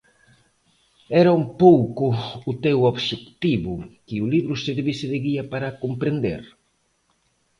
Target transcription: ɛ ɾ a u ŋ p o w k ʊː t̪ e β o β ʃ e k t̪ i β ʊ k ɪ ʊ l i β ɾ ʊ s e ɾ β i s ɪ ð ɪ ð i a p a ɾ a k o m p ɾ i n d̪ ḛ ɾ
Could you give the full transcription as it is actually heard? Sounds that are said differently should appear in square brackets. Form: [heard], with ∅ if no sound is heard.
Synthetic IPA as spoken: ɛ ɾ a u [m] p o w k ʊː t̪ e [w] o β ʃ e k t̪ i β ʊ k ɪ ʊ l i β ɾ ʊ s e ɾ β i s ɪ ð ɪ [ɣ] i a p a ɾ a k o m p ɾ [e] n d̪ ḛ ɾ